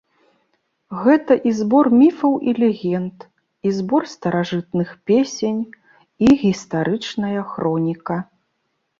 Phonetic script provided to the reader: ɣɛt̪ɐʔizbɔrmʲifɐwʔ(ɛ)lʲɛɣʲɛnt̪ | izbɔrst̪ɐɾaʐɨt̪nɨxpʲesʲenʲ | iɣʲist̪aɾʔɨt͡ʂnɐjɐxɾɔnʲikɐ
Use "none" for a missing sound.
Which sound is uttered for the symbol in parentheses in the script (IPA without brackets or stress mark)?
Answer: i